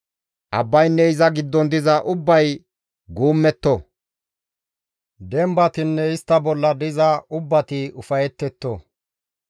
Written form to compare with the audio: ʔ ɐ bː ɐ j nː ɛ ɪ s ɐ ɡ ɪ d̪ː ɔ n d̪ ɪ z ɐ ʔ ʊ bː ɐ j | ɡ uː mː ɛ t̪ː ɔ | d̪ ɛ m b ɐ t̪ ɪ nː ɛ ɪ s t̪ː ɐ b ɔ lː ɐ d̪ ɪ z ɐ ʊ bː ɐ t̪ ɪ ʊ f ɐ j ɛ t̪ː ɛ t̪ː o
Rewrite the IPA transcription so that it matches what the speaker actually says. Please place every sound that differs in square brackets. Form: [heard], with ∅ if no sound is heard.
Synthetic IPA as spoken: ʔ ɐ bː ɐ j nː ɛ ɪ [z] ɐ ɡ ɪ d̪ː ɔ n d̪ ɪ z ɐ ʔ ʊ bː ɐ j | ɡ uː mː ɛ t̪ː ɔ | d̪ ɛ m b ɐ t̪ ɪ nː ɛ ɪ s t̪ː ɐ b ɔ lː ɐ d̪ ɪ z ɐ ʊ bː ɐ t̪ ɪ ʊ f ɐ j ɛ t̪ː ɛ t̪ː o